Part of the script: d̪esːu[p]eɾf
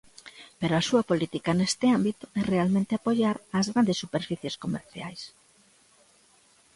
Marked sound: correct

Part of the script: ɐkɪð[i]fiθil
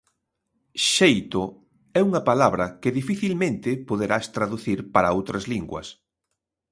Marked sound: correct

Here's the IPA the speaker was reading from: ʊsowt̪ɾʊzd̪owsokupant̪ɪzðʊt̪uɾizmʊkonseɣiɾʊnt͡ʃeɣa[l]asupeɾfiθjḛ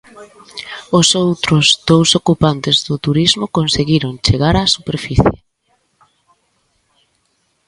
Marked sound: incorrect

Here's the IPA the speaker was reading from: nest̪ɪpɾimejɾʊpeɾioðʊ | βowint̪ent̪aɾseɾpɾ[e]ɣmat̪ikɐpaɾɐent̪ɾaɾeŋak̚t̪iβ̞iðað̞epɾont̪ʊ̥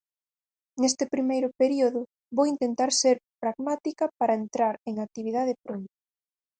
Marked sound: incorrect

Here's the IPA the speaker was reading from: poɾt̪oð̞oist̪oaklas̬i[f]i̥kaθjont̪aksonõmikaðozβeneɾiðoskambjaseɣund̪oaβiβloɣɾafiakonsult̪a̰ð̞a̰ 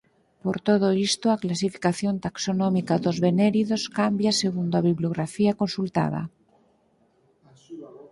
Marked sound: correct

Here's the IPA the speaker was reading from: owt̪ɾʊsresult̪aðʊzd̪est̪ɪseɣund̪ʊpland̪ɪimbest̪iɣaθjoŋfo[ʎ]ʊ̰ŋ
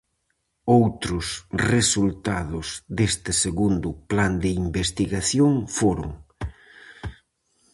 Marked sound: incorrect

